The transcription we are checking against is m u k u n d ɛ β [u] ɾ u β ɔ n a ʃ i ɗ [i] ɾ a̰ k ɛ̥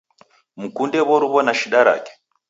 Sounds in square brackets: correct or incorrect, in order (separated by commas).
incorrect, incorrect